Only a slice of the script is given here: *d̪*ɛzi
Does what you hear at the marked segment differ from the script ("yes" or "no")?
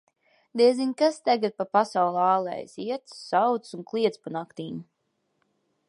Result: no